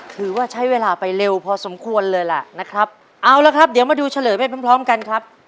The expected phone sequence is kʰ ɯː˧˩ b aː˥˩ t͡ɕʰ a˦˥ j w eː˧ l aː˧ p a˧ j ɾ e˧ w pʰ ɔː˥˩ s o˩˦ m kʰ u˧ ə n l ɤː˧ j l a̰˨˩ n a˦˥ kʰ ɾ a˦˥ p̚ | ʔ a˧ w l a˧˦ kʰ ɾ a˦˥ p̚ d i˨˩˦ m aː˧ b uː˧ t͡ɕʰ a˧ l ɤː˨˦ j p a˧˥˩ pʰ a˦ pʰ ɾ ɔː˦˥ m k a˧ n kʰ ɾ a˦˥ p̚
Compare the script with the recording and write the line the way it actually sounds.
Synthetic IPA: kʰ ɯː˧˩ w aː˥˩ t͡ɕʰ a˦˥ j w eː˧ l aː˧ p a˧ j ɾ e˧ w pʰ ɔː˧ s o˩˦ m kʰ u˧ ə n l ɤː˧ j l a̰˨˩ n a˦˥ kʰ ɾ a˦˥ p̚ | ʔ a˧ w l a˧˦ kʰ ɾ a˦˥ p̚ d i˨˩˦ m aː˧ d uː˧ t͡ɕʰ a˧ l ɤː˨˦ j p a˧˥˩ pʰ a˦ pʰ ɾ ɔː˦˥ m k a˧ n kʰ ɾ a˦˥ p̚

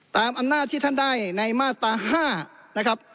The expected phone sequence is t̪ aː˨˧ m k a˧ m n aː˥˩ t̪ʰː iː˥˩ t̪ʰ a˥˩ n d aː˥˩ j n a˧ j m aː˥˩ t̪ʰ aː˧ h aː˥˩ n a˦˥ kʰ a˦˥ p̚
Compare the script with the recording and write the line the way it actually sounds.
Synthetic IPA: t̪ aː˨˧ m ʔ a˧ m n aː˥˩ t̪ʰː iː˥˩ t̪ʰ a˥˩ n d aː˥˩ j n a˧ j m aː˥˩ t̪ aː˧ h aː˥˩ n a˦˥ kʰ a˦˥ p̚

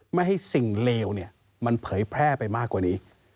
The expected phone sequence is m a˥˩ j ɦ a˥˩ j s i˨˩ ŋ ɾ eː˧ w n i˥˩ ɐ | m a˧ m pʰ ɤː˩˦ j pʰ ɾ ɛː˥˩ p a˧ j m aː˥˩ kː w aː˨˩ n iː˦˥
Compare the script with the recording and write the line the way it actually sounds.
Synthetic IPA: m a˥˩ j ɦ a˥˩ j s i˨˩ ŋ l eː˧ w n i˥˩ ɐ | m a˧ n pʰ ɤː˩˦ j pʰ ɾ ɛː˥˩ p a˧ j m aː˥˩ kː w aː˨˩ n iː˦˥

